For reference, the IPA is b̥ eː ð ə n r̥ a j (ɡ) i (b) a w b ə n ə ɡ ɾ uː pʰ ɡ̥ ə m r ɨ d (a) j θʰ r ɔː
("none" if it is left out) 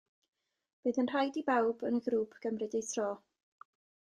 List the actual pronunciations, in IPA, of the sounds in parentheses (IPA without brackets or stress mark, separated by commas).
d, b, e